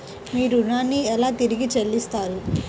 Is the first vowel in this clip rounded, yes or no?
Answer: no